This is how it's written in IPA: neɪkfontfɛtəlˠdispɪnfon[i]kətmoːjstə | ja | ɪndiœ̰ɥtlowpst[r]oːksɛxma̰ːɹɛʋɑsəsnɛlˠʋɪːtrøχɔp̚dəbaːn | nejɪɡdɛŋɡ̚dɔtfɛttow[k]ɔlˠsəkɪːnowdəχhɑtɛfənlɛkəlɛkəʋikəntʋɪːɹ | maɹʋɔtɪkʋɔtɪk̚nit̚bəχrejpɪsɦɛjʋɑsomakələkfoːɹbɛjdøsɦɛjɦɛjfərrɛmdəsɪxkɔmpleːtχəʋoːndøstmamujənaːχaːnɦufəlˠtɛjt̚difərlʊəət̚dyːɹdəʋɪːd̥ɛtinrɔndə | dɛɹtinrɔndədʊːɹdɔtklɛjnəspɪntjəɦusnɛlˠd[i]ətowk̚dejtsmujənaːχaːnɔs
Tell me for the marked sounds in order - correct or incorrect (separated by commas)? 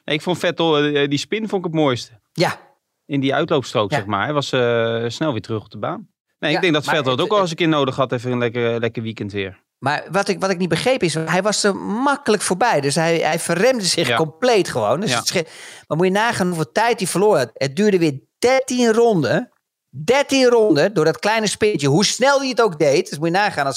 incorrect, correct, correct, correct